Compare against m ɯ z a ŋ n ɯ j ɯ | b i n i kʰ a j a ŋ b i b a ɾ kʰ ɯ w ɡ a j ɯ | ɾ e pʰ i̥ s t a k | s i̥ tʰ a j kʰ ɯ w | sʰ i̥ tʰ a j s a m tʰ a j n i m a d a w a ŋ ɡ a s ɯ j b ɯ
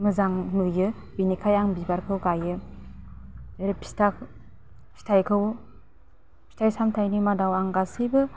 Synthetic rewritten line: m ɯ z a ŋ n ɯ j ɯ | b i n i kʰ a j a ŋ b i b a ɾ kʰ ɯ w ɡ a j ɯ | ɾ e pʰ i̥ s t a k | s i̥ tʰ a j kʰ ɯ w | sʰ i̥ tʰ a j s a m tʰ a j n i m a d a w a ŋ ɡ a s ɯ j b ɯ